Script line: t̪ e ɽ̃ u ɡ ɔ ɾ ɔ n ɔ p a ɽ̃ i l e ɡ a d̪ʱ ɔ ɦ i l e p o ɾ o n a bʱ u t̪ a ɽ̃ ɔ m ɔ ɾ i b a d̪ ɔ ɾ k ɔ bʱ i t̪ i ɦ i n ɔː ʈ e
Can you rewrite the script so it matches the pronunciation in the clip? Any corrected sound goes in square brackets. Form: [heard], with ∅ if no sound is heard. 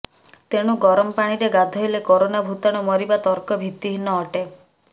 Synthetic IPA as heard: t̪ e ɽ̃ u ɡ ɔ ɾ ɔ [m] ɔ p a ɽ̃ i [ɾ] e ɡ a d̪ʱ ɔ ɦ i l e [k] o ɾ o n a bʱ u t̪ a ɽ̃ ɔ m ɔ ɾ i b a [t̪] ɔ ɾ k ɔ bʱ i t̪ i ɦ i n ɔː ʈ e